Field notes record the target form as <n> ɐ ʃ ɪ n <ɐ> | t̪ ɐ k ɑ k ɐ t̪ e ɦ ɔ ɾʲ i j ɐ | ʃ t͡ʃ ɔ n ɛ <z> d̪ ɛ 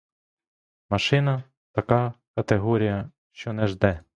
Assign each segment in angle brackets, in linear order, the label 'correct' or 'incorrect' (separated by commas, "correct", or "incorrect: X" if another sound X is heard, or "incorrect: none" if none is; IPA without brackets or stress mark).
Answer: incorrect: m, correct, incorrect: ʒ